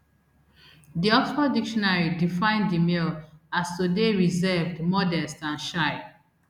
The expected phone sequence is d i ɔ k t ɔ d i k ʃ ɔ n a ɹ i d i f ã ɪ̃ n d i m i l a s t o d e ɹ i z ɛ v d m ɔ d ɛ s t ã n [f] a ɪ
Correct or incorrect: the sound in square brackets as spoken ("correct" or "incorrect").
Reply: incorrect